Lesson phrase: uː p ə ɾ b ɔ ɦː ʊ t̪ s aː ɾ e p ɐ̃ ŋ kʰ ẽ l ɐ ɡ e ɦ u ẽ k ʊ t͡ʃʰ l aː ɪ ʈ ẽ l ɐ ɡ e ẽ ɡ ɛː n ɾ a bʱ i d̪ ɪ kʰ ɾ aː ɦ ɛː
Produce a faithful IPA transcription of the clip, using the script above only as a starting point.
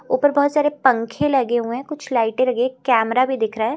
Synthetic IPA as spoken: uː p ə ɾ b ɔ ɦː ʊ t̪ s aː ɾ e p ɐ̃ ŋ kʰ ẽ l ɐ ɡ e ɦ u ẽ k ʊ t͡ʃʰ l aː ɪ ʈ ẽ l ɐ ɡ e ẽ k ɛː m ɾ a bʱ i d̪ ɪ kʰ ɾ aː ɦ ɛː